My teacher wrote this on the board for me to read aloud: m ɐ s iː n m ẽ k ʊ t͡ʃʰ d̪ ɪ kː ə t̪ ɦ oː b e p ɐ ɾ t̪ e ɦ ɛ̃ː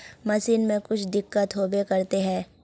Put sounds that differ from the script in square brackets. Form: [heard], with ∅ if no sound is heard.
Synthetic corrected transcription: m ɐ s iː n m ẽ k ʊ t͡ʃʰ d̪ ɪ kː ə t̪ ɦ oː b e [k] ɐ ɾ t̪ e ɦ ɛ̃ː